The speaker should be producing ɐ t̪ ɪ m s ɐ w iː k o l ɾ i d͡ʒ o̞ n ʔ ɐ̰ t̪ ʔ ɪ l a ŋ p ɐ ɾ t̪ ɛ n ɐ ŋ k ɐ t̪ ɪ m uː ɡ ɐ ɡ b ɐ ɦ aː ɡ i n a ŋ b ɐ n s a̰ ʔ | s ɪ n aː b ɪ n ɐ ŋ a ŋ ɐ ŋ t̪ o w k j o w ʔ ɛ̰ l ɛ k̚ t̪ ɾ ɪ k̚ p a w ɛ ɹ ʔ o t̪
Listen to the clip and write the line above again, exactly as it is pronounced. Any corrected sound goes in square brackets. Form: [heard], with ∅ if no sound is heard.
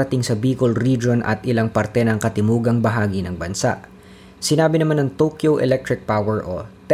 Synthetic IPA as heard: ɐ t̪ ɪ [ŋ] s ɐ [b] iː k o l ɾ i d͡ʒ o̞ n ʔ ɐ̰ t̪ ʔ ɪ l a ŋ p ɐ ɾ t̪ ɛ n ɐ ŋ k ɐ t̪ ɪ m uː ɡ ɐ [ŋ] b ɐ ɦ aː ɡ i n [ɐ] ŋ b ɐ n s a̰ ʔ | s ɪ n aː b ɪ n ɐ [m] a [n] ɐ ŋ t̪ o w k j o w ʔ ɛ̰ l ɛ k̚ t̪ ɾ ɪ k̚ p a w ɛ ɹ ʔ o t̪